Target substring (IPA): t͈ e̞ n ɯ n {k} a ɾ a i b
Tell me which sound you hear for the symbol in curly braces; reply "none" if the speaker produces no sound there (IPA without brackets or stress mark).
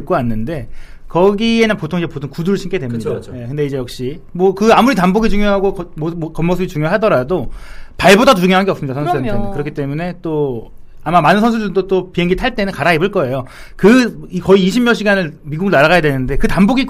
k